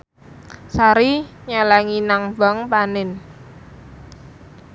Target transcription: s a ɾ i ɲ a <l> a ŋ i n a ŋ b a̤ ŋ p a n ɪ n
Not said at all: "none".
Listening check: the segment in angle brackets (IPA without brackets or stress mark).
l